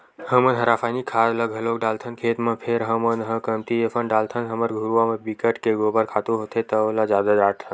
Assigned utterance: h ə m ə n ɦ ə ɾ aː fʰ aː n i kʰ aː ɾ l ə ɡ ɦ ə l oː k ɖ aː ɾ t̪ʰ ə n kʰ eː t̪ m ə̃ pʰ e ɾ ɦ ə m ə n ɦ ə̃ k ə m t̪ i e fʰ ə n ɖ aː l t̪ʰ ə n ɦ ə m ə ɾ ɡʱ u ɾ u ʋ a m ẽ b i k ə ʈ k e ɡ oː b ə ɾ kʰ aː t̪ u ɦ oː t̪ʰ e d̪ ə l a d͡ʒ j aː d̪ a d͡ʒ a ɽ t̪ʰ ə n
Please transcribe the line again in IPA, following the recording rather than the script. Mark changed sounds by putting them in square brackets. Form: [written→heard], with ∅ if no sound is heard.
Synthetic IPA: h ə m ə n ɦ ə ɾ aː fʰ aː n i kʰ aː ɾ l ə ɡ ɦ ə l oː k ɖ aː [ɾ→l] t̪ʰ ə n kʰ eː t̪ m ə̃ pʰ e ɾ ɦ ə m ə n ɦ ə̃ k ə m t̪ i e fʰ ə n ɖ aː l t̪ʰ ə n ɦ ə m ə ɾ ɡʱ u ɾ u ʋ a m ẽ b i k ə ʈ k e ɡ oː b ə ɾ kʰ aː t̪ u ɦ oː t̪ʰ e [d̪→t̪] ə l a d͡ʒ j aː d̪ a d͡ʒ a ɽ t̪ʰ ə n